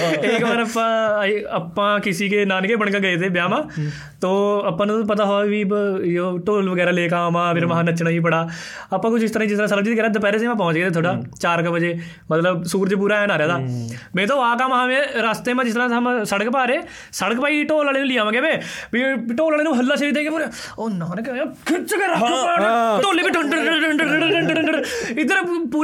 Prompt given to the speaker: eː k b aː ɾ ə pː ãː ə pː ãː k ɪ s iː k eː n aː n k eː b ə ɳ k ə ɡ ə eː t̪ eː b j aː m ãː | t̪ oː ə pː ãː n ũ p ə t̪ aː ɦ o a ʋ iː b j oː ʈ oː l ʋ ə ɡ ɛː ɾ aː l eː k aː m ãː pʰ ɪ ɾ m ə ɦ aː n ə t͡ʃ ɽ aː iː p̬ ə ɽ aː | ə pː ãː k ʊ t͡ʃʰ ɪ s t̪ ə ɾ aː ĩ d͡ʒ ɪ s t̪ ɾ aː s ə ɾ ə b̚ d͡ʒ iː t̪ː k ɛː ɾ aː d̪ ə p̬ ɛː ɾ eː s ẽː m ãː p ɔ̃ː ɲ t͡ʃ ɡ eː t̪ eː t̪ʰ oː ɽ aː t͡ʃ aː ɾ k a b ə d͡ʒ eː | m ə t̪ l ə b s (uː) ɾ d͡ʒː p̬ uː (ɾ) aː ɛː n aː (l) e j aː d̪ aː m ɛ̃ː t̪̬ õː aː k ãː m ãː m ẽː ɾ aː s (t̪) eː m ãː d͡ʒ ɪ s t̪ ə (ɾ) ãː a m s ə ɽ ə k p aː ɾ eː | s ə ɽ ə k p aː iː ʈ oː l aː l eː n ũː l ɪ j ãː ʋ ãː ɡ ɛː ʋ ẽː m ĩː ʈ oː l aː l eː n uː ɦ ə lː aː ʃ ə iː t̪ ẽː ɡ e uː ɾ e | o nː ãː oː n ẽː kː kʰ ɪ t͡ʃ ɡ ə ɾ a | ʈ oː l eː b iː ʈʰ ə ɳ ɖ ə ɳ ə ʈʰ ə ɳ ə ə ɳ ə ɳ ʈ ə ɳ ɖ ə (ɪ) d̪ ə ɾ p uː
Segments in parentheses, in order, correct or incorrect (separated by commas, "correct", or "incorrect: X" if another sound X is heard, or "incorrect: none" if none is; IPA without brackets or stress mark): correct, correct, incorrect: ɾ, correct, correct, correct